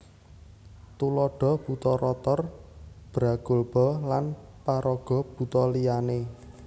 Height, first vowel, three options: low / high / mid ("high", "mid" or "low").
high